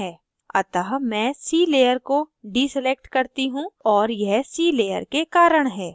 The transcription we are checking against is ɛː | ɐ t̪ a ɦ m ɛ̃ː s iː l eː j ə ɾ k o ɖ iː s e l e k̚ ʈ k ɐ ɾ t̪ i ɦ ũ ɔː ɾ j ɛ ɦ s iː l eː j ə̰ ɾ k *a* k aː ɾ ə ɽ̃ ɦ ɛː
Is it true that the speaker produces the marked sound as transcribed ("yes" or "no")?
no